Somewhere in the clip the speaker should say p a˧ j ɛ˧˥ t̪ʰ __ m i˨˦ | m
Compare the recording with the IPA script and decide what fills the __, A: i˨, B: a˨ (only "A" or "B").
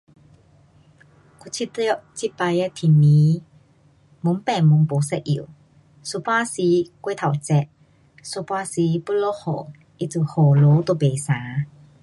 A